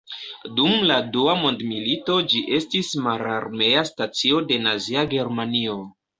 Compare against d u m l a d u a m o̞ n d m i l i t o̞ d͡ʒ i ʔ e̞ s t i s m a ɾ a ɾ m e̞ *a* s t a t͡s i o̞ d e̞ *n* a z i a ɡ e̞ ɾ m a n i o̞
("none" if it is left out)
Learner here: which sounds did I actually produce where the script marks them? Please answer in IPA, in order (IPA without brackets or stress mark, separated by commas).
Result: a, n